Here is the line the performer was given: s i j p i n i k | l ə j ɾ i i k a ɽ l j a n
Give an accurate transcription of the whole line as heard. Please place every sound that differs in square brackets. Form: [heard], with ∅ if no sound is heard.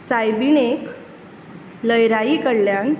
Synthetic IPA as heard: s [a] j [b] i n [e] k | l ə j ɾ [a] i k [ə] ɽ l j a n